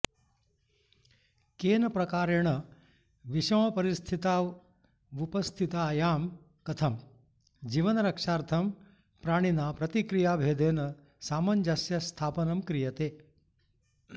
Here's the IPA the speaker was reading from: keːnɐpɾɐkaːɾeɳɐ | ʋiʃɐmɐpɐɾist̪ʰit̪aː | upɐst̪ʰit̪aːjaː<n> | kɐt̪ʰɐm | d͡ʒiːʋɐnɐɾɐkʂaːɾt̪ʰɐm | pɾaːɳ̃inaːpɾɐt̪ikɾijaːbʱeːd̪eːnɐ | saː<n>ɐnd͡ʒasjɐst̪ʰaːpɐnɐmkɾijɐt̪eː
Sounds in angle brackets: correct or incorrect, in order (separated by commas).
incorrect, incorrect